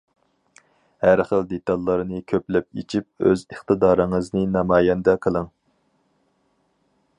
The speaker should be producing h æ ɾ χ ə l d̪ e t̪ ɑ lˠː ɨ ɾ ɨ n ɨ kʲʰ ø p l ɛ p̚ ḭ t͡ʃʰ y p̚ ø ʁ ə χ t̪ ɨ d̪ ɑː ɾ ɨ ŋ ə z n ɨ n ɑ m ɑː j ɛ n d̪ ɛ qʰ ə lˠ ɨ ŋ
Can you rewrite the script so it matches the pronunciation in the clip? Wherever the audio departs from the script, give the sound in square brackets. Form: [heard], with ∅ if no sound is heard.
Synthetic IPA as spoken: h æ ɾ χ ə l d̪ e t̪ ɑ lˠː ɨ ɾ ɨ n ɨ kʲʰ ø p l ɛ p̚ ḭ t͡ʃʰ [i] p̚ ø [z] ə χ t̪ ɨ d̪ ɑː ɾ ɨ ŋ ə z n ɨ n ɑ m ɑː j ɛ n d̪ ɛ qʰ ə lˠ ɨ ŋ